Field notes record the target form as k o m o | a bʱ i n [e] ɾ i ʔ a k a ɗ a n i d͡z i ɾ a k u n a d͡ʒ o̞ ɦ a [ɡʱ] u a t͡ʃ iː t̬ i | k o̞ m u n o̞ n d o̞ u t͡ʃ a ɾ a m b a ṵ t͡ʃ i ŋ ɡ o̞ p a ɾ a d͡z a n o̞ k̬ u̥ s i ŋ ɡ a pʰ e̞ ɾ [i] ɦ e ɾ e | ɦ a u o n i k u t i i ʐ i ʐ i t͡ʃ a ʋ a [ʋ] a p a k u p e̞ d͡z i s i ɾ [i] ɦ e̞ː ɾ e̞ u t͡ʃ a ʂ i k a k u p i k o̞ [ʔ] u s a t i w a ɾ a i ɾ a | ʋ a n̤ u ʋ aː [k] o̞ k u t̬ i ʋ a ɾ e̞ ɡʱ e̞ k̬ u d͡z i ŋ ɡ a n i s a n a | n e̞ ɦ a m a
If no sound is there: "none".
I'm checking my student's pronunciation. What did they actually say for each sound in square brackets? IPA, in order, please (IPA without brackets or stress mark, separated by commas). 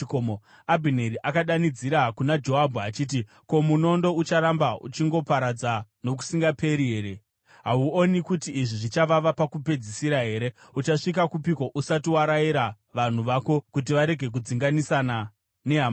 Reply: e, bʱ, i, ʋ, a, ʔ, k